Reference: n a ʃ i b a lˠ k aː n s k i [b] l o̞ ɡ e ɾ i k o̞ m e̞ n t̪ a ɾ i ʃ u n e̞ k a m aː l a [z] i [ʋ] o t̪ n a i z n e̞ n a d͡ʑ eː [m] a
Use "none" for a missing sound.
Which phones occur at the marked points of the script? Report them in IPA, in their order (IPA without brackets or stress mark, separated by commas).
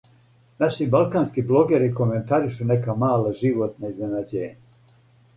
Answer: b, ʒ, ʋ, ɲ